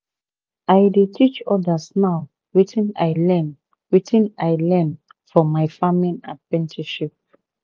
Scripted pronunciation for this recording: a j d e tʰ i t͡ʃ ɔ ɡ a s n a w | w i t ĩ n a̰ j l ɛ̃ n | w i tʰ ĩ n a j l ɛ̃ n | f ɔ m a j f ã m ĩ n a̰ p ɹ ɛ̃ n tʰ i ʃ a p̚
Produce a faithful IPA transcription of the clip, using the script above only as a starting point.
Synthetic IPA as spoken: a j d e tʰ i t͡ʃ ɔ d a s n a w | w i t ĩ n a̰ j l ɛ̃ n | w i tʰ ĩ n a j l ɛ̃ n | f ɔ m a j f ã m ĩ n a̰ p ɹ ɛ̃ n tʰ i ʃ i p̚